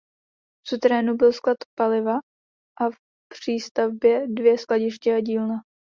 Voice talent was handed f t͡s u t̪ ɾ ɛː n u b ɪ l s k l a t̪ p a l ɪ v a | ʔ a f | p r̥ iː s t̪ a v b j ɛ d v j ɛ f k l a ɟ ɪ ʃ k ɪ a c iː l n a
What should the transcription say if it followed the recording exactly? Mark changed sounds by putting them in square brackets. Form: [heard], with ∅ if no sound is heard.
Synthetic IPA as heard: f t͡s u t̪ ɾ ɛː n u b ɪ l s k l a t̪ p a l ɪ v a | ʔ a f | p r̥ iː s t̪ a v b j ɛ d v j ɛ [s] k l a ɟ ɪ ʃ [c] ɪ a [ɟ] iː l n a